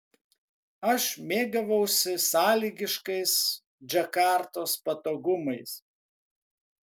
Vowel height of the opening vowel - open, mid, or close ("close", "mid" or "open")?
open